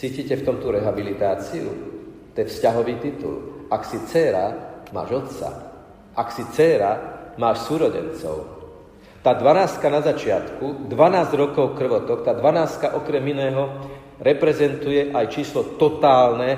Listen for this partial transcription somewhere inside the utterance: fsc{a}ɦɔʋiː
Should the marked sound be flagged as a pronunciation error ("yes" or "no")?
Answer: no